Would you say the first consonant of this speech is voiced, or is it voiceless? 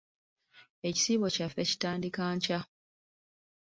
voiceless